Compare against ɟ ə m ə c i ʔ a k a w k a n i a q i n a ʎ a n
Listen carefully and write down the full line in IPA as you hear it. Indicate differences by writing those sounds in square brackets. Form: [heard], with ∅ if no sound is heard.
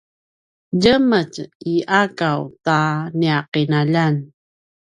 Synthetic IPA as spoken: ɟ ə m ə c i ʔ a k a w [t] a n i a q i n a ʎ a n